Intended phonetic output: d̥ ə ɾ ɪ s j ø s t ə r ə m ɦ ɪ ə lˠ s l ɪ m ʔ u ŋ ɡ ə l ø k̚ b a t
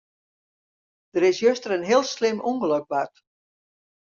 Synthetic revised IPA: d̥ ə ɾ ɪ s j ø s t ə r ə n ɦ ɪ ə lˠ s l ɪ m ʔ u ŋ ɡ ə l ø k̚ b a t